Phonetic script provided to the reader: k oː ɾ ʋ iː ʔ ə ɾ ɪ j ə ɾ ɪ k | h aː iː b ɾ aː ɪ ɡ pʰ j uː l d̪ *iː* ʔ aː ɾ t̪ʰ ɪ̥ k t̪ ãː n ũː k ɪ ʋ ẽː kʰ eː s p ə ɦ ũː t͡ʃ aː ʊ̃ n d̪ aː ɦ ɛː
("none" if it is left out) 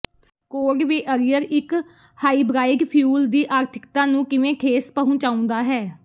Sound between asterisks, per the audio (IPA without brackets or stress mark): iː